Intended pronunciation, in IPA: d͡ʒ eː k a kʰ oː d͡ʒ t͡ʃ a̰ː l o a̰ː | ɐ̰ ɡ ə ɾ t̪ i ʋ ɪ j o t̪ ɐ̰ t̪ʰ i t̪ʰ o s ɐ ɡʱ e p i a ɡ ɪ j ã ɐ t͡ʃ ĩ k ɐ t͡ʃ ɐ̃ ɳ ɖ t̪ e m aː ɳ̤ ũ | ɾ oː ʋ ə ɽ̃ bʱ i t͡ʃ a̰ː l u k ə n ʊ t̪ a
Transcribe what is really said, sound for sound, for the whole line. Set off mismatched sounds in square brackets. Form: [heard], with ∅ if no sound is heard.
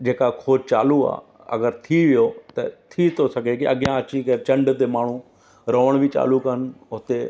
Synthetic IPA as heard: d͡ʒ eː k a kʰ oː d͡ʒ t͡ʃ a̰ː l [u] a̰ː | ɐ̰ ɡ ə ɾ [t̪ʰ] i ʋ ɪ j o t̪ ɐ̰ t̪ʰ i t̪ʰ o s ɐ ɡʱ e [k] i [ɐ] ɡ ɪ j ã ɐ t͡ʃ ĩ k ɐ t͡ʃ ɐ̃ ɳ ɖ t̪ e m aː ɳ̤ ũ | ɾ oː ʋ ə ɽ̃ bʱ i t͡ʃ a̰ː l u k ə n ʊ t̪ [e]